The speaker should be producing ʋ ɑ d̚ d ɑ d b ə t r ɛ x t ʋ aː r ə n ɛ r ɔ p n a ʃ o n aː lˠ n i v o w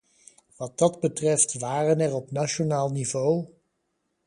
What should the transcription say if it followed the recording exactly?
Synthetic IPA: ʋ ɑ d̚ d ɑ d b ə t r ɛ f t ʋ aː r ə n ɛ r ɔ p n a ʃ o n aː lˠ n i v o w

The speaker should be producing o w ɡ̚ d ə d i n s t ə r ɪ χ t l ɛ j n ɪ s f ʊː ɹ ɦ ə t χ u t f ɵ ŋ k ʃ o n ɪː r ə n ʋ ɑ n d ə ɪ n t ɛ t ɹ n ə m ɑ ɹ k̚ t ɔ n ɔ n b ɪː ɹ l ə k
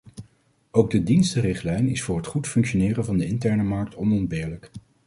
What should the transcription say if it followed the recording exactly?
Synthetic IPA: o w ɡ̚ d ə d i n s t ə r ɪ χ t l ɛ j n ɪ s f ʊː ɹ ɦ ə t χ u t f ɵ ŋ k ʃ o n ɪː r ə n v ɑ n d ə ɪ n t ɛ ɹ n ə m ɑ ɹ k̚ t ɔ n ɔ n b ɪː ɹ l ə k

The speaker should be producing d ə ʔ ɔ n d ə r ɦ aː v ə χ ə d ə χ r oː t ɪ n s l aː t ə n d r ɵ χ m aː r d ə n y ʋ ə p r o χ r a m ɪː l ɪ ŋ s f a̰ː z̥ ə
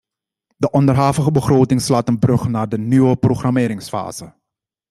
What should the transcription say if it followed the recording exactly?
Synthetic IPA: d ə ʔ ɔ n d ə r ɦ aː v ə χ ə b ə χ r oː t ɪ ŋ s l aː t ə n b r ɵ χ n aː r d ə n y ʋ ə p r o χ r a m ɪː ɾ ɪ ŋ s f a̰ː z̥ ə

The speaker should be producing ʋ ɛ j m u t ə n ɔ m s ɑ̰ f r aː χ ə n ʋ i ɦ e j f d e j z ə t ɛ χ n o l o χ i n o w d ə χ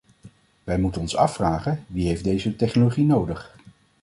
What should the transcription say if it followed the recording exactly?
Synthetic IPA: ʋ ɛ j m u t ə n ɔ n s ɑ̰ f r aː χ ə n ʋ i ɦ e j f d e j z ə t ɛ χ n o l o χ i n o w d ə χ

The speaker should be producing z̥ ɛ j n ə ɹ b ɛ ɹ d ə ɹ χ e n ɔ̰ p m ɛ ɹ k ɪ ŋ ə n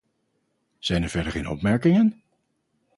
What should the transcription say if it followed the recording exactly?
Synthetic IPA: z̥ ɛ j n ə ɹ v ɛ ɹ d ə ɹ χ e n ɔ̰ p m ɛ ɹ k ɪ ŋ ə n

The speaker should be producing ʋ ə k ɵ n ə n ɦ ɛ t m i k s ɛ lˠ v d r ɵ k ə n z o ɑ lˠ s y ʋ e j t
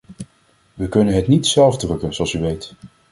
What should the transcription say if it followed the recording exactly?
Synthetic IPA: ʋ ə k ɵ n ə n ɦ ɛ t n i t s ɛ lˠ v d r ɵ k ə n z o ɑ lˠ s y ʋ e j t

